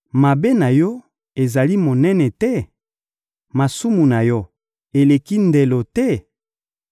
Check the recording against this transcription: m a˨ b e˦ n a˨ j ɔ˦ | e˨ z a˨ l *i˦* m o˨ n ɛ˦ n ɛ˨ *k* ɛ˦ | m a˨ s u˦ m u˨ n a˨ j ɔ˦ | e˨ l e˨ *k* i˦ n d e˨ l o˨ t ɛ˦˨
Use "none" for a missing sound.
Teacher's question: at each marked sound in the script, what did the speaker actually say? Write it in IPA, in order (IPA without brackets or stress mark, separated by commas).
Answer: i˦, t, k